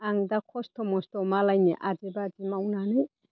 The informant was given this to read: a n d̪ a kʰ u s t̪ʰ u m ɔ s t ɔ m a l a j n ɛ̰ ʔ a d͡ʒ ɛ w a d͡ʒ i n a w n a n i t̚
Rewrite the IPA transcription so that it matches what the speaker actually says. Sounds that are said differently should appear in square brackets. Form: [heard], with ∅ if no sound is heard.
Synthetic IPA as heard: a [ŋ] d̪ a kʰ [ɔ] s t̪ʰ [ɔ] m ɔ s t ɔ m a l a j n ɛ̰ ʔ a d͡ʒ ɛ [b] a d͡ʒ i [m] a w n a n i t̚